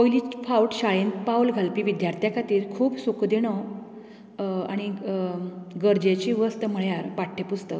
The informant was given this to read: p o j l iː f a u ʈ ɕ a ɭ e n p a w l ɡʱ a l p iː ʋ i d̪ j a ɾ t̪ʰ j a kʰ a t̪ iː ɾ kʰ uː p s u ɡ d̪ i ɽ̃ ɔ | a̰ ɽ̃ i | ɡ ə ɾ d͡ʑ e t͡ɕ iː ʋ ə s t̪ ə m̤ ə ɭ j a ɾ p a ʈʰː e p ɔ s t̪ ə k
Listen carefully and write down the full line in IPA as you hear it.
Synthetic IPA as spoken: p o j l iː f a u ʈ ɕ a ɭ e n p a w l ɡʱ a l p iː ʋ i d̪ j a ɾ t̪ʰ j a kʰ a t̪ iː ɾ kʰ uː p s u k d̪ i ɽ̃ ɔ | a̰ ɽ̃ i | ɡ ə ɾ d͡ʑ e t͡ɕ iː ʋ ə s t̪ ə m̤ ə ɭ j a ɾ p a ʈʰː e p u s t̪ ə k